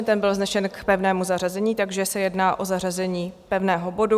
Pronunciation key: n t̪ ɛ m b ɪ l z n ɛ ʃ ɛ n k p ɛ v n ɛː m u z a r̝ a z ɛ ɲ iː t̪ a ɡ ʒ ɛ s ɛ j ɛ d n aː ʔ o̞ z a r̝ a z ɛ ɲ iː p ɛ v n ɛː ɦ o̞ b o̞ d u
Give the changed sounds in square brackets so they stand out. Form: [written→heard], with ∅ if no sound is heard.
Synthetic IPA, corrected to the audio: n t̪ ɛ m b ɪ l z n ɛ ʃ ɛ n k p ɛ v n ɛː m u z a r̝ a z ɛ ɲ iː t̪ a ɡ ʒ ɛ s ɛ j ɛ d n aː ʔ o̞ z a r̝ a z ɛ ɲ iː p ɛ v n ɛː ɦ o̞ b o̞ d u